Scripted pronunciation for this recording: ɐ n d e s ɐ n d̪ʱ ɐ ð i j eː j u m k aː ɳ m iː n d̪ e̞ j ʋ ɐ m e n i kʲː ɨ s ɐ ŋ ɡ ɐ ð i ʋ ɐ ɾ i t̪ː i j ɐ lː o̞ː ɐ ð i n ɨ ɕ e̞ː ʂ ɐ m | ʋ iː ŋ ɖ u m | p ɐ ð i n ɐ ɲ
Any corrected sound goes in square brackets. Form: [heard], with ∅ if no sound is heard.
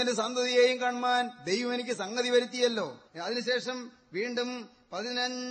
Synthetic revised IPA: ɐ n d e s ɐ n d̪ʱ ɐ ð i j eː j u m k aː ɳ m [aː] n d̪ e̞ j ʋ ɐ m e n i kʲː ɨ s ɐ ŋ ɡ ɐ ð i ʋ ɐ ɾ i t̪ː i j ɐ lː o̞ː ɐ ð i n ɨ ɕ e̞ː ʂ ɐ m | ʋ iː [ɳ] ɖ u m | p ɐ ð i n ɐ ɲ